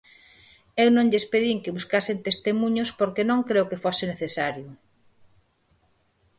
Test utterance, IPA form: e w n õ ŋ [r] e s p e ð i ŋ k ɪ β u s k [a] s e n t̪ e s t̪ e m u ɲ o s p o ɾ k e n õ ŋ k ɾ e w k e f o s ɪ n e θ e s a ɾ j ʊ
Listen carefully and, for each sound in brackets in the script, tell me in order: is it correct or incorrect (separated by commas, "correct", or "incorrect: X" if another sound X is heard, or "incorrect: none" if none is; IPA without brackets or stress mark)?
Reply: incorrect: ʎ, correct